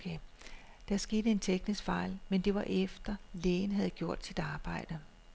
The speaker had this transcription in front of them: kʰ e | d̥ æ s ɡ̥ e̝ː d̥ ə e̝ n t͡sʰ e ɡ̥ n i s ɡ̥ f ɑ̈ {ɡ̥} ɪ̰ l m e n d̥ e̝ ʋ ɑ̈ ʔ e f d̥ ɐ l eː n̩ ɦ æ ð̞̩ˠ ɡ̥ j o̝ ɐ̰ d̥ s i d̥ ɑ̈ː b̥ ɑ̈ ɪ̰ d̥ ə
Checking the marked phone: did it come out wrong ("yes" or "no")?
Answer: yes